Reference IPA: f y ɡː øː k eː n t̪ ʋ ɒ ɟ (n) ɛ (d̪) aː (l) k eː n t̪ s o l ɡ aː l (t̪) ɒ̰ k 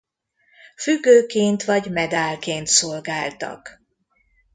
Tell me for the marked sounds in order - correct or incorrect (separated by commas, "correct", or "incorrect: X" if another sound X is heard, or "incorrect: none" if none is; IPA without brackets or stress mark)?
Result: incorrect: m, correct, correct, correct